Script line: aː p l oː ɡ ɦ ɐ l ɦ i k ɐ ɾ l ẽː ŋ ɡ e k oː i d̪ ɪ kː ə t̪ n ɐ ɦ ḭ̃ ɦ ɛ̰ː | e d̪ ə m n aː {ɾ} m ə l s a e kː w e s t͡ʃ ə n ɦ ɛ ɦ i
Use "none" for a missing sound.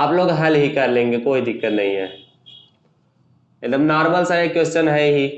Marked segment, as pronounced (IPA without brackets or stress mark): ɾ